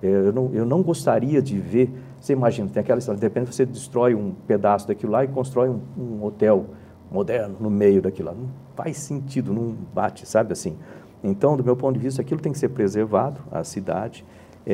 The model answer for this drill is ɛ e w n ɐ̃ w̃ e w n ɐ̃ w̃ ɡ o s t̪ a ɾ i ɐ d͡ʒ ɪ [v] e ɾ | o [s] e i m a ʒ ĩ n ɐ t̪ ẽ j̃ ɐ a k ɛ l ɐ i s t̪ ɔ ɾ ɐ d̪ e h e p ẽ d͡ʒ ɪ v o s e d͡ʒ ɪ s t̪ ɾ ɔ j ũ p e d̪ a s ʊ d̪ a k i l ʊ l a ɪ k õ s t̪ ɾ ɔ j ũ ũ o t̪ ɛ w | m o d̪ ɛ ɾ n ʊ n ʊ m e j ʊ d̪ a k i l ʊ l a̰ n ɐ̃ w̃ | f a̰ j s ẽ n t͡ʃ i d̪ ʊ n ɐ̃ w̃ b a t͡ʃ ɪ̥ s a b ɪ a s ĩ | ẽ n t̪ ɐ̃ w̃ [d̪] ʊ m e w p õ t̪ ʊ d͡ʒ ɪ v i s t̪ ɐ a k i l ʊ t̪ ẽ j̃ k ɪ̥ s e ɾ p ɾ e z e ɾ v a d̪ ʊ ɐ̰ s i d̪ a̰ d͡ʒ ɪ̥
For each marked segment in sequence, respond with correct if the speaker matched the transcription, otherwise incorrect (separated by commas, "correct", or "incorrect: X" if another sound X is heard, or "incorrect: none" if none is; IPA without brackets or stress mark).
correct, correct, correct